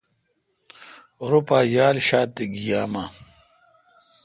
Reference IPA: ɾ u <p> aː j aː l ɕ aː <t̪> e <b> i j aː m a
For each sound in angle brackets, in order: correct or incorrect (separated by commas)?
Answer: correct, correct, incorrect